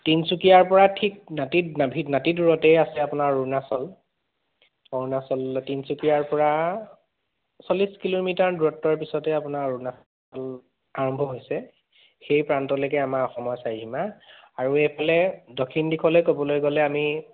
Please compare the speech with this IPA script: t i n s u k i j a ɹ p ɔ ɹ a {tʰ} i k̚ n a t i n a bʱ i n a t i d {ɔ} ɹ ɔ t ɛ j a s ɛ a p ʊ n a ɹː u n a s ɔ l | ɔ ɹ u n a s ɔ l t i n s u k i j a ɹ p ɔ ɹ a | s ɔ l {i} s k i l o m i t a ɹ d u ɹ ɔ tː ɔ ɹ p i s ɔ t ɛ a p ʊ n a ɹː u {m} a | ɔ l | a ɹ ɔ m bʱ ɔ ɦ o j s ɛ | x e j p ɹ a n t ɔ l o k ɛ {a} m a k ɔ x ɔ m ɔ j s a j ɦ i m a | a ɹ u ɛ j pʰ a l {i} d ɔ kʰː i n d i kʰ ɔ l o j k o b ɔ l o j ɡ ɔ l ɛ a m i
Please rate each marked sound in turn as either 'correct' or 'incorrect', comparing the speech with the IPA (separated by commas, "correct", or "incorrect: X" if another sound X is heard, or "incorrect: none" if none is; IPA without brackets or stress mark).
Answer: correct, incorrect: u, correct, incorrect: n, correct, incorrect: ɛ